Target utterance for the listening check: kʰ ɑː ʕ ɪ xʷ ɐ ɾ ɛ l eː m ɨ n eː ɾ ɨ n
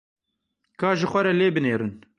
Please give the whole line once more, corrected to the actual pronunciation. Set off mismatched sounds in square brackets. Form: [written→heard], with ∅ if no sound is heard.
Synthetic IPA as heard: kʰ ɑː [ʕ→ʒ] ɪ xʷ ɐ ɾ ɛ l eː [m→b] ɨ n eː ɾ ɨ n